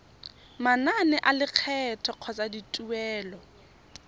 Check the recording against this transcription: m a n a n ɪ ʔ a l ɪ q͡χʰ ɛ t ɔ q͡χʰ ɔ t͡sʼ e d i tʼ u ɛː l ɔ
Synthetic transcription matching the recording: m a n a n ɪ ʔ a l ɪ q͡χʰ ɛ tʰ ɔ q͡χʰ ɔ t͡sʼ a d i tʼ u ɛː l ɔ